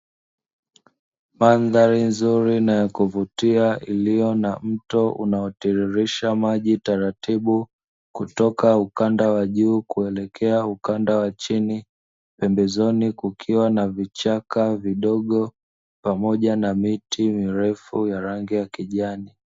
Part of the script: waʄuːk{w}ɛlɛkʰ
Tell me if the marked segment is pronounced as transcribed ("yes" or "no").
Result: no